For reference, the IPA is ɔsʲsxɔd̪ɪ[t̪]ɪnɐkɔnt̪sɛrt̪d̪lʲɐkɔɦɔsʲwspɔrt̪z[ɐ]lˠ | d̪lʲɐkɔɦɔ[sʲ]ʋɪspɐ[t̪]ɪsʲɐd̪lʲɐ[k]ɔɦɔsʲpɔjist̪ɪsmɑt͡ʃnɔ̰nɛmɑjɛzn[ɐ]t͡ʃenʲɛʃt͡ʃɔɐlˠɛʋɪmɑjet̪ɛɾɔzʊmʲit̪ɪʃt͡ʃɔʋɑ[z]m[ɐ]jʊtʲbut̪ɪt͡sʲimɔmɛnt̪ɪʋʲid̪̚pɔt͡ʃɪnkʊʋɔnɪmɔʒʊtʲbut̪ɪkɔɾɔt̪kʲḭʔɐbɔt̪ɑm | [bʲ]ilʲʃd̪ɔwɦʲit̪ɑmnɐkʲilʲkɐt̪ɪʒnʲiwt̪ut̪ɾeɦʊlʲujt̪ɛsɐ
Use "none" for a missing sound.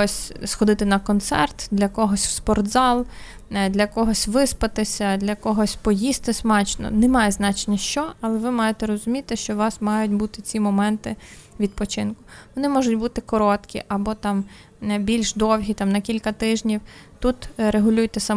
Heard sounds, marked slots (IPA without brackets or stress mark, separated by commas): t̪, ɑ, sʲ, t̪, k, ɑ, s, ɑ, bʲ